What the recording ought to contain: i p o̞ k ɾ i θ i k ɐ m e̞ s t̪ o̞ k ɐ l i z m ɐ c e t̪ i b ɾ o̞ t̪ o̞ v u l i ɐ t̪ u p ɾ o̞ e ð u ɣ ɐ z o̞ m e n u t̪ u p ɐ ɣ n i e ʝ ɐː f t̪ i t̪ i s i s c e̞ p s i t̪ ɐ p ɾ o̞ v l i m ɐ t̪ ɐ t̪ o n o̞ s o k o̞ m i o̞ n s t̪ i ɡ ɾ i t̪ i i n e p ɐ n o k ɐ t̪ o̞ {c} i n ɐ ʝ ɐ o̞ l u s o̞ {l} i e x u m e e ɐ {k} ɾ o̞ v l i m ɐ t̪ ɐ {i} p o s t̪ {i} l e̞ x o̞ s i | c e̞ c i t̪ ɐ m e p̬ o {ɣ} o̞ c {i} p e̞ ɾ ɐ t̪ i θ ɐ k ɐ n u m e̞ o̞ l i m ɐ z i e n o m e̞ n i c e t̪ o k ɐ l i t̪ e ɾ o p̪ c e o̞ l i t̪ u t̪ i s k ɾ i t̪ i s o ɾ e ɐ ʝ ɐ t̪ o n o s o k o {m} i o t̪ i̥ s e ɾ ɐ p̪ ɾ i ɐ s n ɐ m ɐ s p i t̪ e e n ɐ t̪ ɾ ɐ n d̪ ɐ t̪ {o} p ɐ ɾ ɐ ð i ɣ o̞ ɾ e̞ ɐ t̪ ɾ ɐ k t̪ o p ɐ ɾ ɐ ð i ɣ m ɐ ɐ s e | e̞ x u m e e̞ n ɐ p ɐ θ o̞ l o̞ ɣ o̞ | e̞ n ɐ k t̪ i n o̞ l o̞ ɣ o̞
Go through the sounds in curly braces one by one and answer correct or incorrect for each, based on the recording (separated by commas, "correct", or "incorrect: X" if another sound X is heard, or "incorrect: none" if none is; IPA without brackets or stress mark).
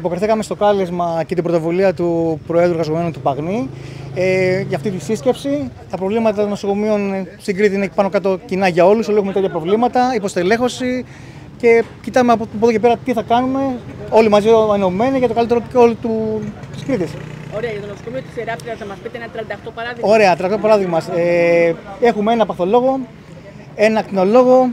correct, correct, incorrect: p, correct, incorrect: e, incorrect: ð, incorrect: e, correct, correct